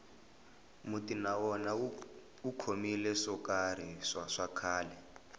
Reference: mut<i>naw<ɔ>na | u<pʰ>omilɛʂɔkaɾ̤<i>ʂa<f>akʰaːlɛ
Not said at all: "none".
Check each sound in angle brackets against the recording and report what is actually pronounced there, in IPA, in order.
i, ɔ, kʰ, i, ʂ

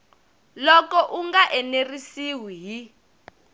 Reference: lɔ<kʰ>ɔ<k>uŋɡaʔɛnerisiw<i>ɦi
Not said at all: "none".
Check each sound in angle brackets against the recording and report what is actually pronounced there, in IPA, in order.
k, ʔ, i

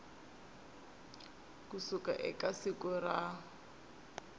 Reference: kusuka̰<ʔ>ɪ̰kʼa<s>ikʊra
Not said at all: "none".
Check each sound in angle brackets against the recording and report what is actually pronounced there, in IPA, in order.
ʔ, s

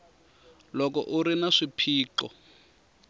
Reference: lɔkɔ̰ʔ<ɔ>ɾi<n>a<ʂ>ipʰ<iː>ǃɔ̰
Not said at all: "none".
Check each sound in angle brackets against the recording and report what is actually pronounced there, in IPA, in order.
u, n, ʂ, iː

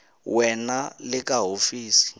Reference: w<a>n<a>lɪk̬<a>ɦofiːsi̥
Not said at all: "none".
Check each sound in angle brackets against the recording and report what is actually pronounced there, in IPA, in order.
ɛ, a, a

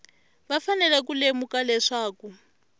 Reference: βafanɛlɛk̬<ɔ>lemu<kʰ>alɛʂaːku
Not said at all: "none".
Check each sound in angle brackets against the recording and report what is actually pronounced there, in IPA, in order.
u, k

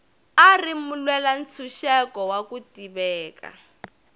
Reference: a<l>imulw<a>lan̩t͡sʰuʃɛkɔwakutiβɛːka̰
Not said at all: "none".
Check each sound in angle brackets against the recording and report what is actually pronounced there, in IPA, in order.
r, ɛ

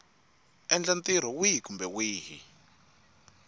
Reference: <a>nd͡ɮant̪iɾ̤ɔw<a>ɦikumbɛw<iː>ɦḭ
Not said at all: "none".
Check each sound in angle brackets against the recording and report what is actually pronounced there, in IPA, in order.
ɛ, i, iː

